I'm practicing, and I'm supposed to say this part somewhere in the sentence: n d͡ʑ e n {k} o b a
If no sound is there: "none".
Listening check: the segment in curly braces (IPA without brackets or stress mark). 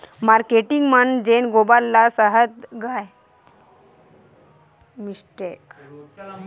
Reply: ɡ